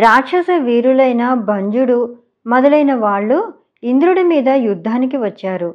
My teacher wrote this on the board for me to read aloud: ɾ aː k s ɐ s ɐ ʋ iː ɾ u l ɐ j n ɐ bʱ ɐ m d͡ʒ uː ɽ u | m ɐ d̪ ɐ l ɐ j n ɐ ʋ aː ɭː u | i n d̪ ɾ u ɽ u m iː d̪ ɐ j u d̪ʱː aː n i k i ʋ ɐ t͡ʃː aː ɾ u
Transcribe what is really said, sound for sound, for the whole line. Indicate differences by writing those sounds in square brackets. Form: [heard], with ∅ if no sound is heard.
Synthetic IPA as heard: ɾ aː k [ʂ] ɐ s ɐ ʋ iː ɾ u l ɐ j n ɐ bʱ ɐ [ɲ] d͡ʒ [u] ɽ u | m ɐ d̪ ɐ l ɐ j n ɐ ʋ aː ɭː u | i n d̪ ɾ u ɽ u m iː d̪ ɐ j u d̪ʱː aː n i k i ʋ ɐ t͡ʃː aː ɾ u